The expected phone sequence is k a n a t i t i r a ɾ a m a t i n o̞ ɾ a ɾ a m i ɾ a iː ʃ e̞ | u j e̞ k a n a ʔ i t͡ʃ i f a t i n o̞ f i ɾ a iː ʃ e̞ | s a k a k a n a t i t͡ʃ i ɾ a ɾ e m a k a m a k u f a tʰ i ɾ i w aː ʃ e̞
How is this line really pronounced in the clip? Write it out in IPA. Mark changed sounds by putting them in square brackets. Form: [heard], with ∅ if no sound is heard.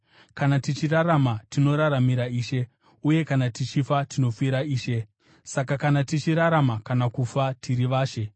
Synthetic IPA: k a n a t i [t͡ʃ] i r a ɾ a m a t i n o̞ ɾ a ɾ a m i ɾ a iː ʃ e̞ | u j e̞ k a n a [t] i t͡ʃ i f a t i n o̞ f i ɾ a iː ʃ e̞ | s a k a k a n a t i t͡ʃ i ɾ a ɾ [a] m a k a [n] a k u f a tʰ i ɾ i [ʋ] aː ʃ e̞